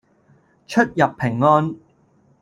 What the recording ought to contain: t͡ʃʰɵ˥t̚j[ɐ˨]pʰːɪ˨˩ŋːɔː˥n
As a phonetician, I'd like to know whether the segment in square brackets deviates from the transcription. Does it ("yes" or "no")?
no